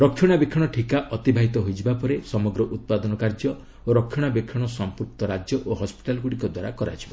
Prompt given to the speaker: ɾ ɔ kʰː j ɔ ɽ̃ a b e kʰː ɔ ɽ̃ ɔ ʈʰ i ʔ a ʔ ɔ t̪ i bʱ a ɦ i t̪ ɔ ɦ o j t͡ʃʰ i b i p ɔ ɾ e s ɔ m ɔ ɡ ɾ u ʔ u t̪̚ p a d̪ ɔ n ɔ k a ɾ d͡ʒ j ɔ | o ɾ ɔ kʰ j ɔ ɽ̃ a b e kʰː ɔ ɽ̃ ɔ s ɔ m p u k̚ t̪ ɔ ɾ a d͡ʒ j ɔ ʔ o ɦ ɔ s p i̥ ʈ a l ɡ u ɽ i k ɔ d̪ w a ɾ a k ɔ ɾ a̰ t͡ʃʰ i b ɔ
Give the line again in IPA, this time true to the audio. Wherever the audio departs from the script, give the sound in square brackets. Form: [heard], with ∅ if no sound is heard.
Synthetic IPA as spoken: ɾ ɔ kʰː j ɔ ɽ̃ a b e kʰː ɔ ɽ̃ ɔ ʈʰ i [k] a ʔ ɔ t̪ i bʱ a ɦ i t̪ ɔ ɦ o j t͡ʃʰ i b [a] p ɔ ɾ e s ɔ m ɔ ɡ ɾ [ɔ] ʔ u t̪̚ p a d̪ ɔ n ɔ k a ɾ d͡ʒ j ɔ | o ɾ ɔ kʰ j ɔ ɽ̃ a b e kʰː ɔ ɽ̃ ɔ s ɔ m p u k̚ t̪ ɔ ɾ a d͡ʒ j ɔ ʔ o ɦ ɔ s p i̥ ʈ a l ɡ u ɽ i k ɔ d̪ w a ɾ a k ɔ ɾ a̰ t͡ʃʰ i b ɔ